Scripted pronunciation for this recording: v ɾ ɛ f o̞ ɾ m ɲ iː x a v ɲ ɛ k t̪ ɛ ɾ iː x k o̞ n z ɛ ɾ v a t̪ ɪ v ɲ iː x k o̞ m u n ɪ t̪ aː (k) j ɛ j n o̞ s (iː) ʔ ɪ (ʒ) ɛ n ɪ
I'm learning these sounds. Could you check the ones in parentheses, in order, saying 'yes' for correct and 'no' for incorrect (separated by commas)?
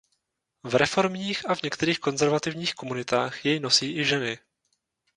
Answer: no, yes, yes